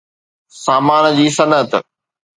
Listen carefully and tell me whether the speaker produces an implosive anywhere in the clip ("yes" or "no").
no